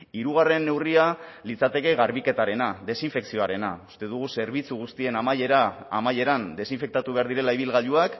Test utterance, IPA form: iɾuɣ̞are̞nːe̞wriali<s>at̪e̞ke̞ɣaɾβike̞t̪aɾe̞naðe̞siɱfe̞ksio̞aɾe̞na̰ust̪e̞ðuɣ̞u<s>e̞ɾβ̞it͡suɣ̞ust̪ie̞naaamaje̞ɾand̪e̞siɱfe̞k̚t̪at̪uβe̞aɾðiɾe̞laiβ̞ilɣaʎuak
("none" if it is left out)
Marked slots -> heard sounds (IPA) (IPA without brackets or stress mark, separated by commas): t͡s, s